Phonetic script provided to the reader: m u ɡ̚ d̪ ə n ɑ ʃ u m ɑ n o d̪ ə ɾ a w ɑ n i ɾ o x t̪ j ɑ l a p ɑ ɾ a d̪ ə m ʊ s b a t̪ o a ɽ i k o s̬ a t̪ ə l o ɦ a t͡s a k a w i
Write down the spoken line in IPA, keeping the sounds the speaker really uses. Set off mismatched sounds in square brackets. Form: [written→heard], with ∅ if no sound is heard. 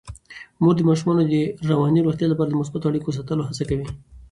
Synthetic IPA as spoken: m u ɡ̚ d̪ ə [n→m] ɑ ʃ u m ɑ n o d̪ ə ɾ a w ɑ n i ɾ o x t̪ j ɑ l a p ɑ ɾ a d̪ ə m ʊ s b a t̪ o a ɽ i k o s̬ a t̪ ə l o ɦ a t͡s a k a w i